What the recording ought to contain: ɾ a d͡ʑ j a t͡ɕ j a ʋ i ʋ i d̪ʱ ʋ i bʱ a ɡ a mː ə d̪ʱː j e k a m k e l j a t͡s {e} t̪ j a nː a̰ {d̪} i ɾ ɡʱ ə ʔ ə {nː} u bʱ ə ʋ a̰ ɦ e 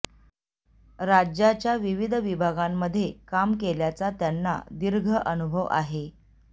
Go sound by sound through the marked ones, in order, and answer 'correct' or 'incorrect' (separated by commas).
incorrect, correct, incorrect